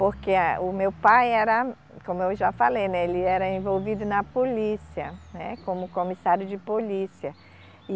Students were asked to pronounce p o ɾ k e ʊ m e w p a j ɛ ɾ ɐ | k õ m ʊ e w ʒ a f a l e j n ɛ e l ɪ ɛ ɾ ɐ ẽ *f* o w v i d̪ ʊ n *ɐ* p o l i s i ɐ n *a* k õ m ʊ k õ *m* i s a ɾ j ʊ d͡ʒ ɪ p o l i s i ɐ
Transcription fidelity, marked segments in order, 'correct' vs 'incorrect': incorrect, correct, incorrect, correct

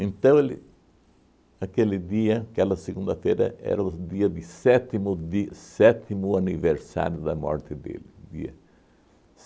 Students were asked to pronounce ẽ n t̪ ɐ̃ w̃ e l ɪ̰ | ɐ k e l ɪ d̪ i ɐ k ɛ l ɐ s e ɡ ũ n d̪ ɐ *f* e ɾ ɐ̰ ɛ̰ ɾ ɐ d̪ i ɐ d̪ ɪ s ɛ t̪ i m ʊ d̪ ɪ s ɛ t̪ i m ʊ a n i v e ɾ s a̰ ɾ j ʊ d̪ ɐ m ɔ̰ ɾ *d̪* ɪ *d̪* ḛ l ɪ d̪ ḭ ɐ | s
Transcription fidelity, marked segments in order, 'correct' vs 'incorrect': correct, incorrect, correct

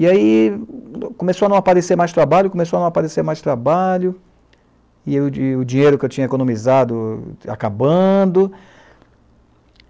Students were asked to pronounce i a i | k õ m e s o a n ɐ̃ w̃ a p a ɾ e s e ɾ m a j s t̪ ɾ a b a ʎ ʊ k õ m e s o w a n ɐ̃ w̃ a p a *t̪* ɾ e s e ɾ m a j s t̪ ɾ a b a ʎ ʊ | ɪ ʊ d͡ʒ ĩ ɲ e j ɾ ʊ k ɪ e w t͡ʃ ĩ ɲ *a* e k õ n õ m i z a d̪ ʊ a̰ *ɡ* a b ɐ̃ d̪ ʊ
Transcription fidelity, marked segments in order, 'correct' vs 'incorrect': incorrect, incorrect, incorrect

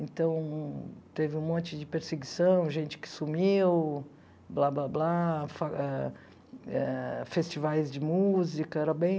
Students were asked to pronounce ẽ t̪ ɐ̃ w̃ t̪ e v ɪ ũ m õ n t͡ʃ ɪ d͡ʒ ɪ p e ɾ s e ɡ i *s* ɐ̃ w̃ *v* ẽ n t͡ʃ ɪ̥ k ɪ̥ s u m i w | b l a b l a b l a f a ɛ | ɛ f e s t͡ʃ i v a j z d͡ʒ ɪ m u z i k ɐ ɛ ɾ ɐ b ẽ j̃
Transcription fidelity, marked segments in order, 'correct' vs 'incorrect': correct, incorrect

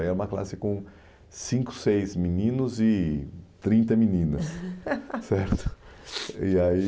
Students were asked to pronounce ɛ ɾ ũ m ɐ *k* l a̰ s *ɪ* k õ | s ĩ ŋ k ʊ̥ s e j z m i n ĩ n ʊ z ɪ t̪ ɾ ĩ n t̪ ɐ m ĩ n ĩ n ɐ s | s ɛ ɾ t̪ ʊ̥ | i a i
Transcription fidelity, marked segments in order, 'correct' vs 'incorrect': correct, correct

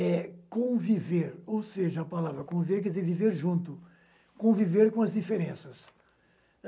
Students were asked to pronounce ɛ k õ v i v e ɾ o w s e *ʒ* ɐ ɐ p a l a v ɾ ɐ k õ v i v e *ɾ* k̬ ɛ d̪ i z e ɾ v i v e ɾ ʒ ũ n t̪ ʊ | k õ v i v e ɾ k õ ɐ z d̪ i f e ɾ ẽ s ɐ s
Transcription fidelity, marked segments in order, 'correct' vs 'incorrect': correct, correct

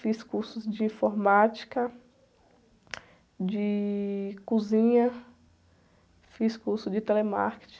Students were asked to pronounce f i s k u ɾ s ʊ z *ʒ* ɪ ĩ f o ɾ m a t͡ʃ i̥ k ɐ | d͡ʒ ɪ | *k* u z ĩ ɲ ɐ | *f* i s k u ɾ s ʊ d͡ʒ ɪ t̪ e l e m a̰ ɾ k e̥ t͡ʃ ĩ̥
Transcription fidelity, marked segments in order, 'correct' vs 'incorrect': incorrect, correct, correct

